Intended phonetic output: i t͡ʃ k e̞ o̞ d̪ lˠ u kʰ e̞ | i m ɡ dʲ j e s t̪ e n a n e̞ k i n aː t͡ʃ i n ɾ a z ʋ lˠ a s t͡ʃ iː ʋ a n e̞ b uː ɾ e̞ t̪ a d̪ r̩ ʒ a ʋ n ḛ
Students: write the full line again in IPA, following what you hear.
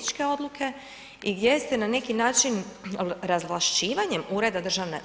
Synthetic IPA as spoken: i t͡ʃ k e̞ o̞ d̪ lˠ u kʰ e̞ | i ɡ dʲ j e s t̪ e n a n e̞ k i n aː t͡ʃ i n ɾ a z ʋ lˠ a ʃ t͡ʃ iː ʋ a ɲ e̞ m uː ɾ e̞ d̪ a d̪ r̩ ʒ a ʋ n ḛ